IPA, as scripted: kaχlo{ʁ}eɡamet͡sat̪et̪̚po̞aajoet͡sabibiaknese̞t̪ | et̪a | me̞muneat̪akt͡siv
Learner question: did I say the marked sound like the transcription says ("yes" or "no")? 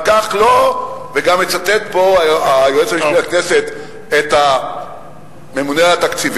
no